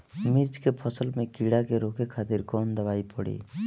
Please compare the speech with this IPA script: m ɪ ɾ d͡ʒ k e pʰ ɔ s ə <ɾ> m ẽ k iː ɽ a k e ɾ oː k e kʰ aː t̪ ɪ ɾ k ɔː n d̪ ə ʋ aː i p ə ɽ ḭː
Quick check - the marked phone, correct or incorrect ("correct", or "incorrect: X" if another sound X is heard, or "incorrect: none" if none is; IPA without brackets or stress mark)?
incorrect: l